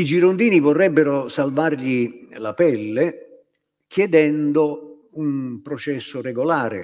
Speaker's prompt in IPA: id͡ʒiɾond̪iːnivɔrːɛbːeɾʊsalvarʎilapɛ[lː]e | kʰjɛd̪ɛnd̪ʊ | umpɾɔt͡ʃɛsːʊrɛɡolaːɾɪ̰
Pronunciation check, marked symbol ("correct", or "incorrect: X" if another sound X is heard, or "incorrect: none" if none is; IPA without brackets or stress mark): correct